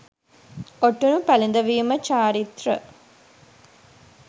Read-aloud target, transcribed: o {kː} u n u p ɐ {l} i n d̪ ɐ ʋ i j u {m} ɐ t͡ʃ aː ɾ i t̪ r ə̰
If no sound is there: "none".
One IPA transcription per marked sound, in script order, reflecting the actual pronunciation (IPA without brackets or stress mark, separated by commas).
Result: ʈː, l, m